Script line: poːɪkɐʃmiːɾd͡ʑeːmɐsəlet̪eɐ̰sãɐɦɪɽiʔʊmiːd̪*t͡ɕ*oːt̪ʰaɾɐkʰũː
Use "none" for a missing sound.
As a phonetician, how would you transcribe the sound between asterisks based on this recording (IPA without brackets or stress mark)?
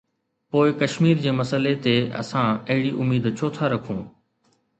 t͡ɕʰ